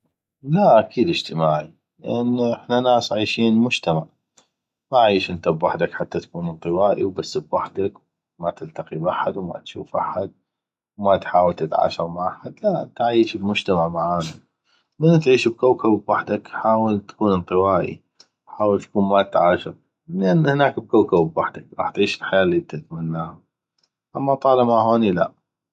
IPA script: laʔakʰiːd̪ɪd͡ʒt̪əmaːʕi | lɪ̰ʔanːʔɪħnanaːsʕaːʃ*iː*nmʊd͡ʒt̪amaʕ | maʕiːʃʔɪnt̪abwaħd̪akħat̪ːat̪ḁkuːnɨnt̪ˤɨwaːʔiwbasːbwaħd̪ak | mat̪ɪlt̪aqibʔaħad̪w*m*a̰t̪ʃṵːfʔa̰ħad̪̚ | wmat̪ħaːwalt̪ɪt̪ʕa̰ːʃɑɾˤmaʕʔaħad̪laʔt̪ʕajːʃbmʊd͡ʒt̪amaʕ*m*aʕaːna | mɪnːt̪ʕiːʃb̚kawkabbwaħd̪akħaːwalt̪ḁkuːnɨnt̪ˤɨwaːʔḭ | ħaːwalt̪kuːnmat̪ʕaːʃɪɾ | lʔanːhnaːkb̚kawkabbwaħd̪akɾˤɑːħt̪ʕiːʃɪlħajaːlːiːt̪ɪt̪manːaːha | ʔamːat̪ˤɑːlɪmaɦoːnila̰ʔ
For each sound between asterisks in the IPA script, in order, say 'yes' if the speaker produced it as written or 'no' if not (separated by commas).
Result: yes, yes, yes